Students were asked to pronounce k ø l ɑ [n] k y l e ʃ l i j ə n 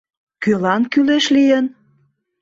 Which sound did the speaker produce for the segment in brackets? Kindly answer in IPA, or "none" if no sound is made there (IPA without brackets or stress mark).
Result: n